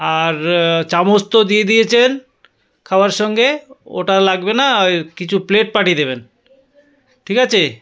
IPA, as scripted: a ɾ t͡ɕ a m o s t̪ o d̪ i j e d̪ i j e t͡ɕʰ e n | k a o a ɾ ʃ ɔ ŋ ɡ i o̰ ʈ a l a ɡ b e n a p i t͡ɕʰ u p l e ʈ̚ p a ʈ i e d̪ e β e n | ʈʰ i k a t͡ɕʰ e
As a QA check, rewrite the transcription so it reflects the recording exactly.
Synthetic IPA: a ɾ t͡ɕ a m o s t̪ o d̪ i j e d̪ i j e t͡ɕʰ e n | kʰ a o a ɾ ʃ ɔ ŋ ɡ e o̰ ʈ a l a ɡ b e n a k i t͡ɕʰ u p l e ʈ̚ p a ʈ i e d̪ e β e n | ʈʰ i k a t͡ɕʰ e